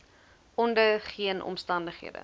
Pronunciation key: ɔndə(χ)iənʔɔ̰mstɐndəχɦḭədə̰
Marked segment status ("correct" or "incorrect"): correct